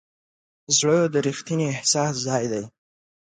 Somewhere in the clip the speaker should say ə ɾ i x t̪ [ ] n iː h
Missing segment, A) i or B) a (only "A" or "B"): A